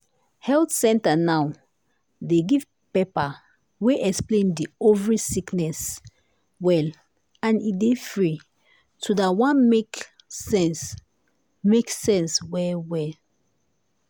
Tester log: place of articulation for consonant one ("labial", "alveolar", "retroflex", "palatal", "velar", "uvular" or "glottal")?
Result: glottal